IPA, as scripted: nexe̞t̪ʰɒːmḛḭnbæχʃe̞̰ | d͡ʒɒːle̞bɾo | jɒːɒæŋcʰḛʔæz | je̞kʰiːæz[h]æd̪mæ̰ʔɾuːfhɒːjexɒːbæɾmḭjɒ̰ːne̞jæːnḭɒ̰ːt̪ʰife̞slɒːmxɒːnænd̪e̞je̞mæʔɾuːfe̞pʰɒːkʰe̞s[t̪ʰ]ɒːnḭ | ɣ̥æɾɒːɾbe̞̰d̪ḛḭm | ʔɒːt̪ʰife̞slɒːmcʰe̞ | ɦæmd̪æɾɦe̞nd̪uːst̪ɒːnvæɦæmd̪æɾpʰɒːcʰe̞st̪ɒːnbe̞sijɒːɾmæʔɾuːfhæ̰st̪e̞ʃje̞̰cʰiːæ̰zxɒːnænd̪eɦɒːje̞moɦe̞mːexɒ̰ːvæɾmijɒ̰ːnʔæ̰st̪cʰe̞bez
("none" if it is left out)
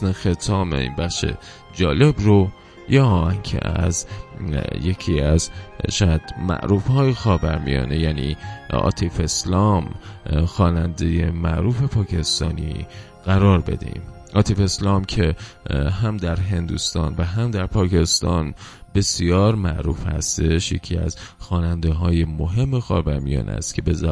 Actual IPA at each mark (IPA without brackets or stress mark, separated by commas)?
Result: ʃ, t̪